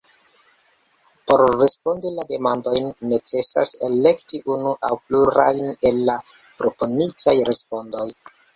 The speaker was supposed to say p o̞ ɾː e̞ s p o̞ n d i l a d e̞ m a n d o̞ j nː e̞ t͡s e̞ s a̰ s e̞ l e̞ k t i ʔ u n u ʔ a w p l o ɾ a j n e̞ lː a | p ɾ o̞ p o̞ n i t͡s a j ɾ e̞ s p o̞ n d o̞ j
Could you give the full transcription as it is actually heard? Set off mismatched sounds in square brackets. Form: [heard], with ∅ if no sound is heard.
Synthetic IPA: p o̞ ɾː e̞ s p o̞ n d i l a d e̞ m a n d o̞ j nː e̞ t͡s e̞ s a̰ s e̞ l e̞ k t i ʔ u n u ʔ a w p l [u] ɾ a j n e̞ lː a | p ɾ o̞ p o̞ n i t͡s a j ɾ e̞ s p o̞ n d o̞ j